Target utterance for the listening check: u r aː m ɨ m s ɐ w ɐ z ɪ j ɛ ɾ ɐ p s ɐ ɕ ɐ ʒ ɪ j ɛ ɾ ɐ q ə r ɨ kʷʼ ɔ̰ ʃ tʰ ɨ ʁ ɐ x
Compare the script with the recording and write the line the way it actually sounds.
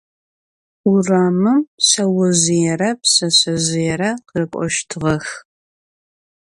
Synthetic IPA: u r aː m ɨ m s ɐ w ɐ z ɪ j ɛ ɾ ɐ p s ɐ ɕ ɐ z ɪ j ɛ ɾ ɐ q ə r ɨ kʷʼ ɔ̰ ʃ tʰ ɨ ʁ ɐ x